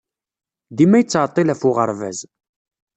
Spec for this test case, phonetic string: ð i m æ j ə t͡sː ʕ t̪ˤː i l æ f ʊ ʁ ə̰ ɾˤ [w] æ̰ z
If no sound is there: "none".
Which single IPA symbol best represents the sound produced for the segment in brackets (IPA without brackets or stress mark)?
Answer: v